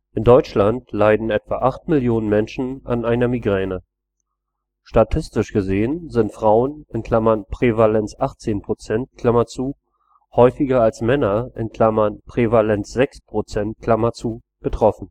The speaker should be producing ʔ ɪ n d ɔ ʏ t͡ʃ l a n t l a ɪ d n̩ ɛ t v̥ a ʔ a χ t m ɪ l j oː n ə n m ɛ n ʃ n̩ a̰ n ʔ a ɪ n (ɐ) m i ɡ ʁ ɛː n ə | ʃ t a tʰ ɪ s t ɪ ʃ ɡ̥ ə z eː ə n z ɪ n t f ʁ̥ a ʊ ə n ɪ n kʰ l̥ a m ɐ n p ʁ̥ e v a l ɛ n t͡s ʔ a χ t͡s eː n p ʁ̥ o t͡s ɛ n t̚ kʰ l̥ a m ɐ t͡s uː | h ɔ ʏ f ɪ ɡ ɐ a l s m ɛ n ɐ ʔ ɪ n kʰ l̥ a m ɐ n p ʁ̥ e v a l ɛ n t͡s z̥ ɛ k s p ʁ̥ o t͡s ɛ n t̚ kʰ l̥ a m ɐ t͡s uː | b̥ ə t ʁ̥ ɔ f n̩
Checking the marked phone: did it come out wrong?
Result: no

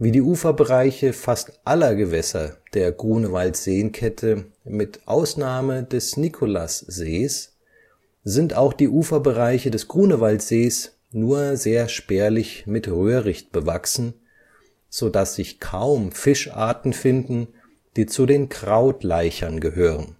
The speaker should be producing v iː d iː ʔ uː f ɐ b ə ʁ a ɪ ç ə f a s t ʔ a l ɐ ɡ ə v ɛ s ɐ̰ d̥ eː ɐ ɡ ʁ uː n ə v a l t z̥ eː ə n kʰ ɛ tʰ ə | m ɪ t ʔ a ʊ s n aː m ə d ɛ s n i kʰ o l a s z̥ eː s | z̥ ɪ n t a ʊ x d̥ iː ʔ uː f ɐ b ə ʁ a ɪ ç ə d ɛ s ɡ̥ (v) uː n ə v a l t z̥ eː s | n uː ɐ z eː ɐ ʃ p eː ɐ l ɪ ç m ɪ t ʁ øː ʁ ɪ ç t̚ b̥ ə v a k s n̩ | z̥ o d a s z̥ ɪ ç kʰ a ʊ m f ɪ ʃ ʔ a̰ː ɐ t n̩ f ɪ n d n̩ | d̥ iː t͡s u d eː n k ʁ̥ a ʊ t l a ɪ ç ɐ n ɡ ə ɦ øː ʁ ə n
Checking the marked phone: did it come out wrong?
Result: yes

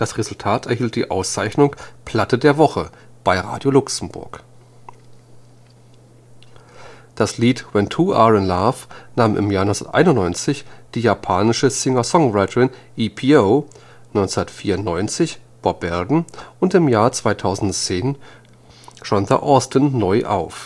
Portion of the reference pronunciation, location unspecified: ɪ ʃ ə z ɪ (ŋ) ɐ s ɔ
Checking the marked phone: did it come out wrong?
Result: no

